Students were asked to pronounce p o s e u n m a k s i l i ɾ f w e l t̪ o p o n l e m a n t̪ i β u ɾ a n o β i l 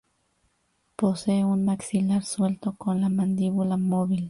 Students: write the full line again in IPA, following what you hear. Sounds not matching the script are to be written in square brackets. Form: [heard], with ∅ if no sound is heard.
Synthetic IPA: p o s e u n m a k s i l [a] ɾ [s] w e l t̪ o [k] o n l [a] m a n [d̪] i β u [l] a [m] o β i l

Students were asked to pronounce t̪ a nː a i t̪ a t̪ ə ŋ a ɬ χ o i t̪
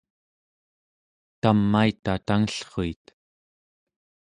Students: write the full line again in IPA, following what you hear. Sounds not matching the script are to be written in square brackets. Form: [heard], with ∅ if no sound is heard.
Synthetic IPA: t̪ a [mː] a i t̪ a t̪ [a] ŋ [ə] ɬ χ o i t̪

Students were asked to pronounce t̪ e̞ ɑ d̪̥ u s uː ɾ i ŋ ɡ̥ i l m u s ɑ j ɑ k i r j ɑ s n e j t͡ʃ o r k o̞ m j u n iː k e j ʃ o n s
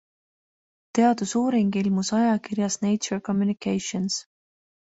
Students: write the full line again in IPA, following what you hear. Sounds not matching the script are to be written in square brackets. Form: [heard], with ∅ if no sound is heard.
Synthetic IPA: t̪ e̞ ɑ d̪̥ u s uː ɾ i ŋ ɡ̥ i l m u s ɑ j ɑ k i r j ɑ s n e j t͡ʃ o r k o̞ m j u n [i] k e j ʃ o n s

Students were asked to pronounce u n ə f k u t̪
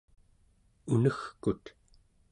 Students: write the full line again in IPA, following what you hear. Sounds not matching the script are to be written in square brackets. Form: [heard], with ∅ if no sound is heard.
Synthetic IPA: u n ə [x] k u t̪

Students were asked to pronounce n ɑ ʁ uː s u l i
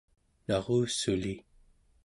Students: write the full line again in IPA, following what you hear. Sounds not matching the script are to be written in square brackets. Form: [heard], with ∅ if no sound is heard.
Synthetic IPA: n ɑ ʁ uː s u l i

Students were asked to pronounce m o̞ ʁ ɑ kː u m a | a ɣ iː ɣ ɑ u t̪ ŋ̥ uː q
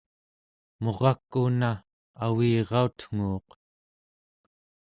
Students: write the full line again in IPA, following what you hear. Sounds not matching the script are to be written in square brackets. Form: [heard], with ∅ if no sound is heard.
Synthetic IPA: m o̞ ʁ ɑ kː u [n] a | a [w] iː [ʁ] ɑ u t̪ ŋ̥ uː q

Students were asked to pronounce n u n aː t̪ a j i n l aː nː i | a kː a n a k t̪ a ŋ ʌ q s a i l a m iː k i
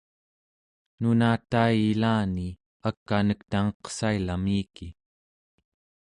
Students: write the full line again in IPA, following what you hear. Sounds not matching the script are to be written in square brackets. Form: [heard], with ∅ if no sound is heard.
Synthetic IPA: n u n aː t̪ a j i [∅] l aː [n] i | a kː a n [ə] k t̪ a ŋ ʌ q s a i l a m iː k i

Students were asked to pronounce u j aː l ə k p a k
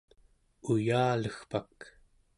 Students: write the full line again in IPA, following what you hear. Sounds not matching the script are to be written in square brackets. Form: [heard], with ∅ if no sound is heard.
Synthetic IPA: u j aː l ə [x] p a k

